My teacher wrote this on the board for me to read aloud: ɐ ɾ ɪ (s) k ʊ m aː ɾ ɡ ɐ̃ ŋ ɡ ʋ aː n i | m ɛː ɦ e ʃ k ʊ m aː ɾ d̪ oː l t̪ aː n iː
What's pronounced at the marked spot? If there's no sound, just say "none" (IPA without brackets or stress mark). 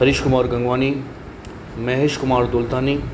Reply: ʃ